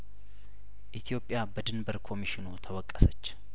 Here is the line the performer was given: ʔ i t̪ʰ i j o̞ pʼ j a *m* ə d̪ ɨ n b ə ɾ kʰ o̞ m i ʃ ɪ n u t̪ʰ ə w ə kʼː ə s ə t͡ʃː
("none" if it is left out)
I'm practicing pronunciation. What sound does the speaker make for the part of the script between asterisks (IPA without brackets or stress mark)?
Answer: b